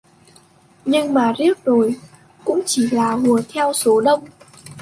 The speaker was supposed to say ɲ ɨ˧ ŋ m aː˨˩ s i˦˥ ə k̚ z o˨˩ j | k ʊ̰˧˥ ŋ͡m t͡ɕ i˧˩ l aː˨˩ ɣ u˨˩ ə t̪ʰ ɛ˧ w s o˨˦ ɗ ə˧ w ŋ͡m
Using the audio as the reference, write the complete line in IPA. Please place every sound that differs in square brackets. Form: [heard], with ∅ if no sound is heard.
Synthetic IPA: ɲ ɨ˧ ŋ m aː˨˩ [z] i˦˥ ə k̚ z o˨˩ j | k ʊ̰˧˥ ŋ͡m t͡ɕ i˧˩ l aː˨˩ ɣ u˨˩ ə t̪ʰ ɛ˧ w s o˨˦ ɗ ə˧ w ŋ͡m